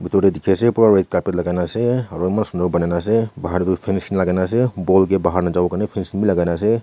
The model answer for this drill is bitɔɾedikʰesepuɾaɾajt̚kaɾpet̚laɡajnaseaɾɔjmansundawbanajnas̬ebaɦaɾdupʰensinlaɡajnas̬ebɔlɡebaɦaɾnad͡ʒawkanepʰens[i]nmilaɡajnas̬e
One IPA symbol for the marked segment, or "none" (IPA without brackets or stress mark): i